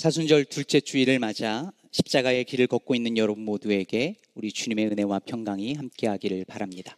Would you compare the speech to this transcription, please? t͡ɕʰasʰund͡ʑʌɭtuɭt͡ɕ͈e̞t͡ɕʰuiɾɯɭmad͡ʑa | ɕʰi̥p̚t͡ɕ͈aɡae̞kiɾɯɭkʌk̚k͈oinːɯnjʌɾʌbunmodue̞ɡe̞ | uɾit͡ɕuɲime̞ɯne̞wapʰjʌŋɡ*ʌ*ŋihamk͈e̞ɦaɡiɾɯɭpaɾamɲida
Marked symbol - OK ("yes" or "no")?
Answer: no